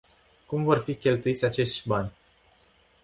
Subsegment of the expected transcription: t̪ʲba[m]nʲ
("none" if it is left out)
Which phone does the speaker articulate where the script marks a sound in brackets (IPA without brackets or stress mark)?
none